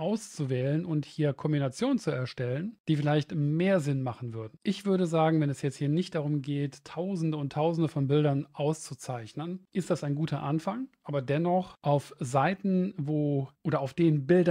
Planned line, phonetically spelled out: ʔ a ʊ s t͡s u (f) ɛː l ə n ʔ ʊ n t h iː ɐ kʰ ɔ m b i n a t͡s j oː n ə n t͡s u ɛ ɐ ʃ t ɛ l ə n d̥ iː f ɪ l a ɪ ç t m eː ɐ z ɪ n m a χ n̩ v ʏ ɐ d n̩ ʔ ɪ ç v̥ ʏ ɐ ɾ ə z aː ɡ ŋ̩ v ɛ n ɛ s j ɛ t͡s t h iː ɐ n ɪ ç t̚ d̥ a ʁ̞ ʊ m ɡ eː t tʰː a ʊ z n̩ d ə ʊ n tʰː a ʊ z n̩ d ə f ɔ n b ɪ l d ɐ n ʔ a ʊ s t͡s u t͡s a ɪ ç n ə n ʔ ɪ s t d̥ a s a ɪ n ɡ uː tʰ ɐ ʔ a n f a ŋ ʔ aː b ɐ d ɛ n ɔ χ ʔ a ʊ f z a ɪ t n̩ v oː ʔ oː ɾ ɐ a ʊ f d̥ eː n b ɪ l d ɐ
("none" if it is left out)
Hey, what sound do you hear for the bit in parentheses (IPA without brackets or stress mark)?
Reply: v